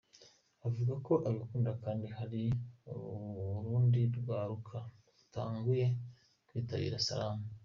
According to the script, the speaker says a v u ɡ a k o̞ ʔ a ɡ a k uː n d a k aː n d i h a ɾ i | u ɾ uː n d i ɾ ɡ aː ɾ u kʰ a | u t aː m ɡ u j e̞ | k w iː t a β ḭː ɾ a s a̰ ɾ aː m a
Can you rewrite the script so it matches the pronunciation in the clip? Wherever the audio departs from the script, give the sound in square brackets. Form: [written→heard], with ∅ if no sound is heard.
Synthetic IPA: a v u ɡ a k o̞ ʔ a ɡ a k uː n d a k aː n d i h a ɾ i | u ɾ uː n d i ɾ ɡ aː ɾ u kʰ a | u t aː [m→ŋ] ɡ u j e̞ | k w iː t a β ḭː ɾ a s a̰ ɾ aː m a